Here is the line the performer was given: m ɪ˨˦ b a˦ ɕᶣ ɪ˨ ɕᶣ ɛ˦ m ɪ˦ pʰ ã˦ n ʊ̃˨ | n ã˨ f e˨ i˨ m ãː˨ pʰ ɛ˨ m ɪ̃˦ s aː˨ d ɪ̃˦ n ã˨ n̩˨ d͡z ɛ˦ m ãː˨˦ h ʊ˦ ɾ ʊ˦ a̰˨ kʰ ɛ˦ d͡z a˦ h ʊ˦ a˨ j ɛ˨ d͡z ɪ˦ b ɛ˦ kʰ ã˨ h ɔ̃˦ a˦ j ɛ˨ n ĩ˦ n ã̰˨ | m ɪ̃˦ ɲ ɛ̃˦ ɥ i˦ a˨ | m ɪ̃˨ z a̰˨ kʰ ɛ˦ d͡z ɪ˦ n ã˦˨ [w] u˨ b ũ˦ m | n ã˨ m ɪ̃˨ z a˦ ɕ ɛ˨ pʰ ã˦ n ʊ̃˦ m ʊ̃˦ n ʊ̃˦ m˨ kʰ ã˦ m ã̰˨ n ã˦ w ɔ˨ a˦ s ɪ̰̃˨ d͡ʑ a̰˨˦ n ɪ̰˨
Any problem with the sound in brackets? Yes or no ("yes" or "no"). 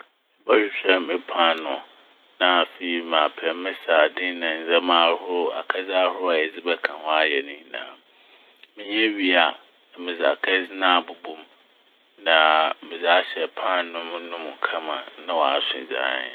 yes